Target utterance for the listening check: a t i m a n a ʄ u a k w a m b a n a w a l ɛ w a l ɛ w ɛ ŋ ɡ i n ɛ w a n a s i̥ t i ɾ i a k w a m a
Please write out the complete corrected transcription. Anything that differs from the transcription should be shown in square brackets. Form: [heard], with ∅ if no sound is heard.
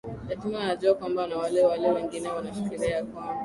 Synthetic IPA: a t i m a n a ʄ u a k w a m b a n a w a l ɛ w a l ɛ w ɛ ŋ ɡ i n ɛ w a n a [ʃ] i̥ [k] i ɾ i a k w a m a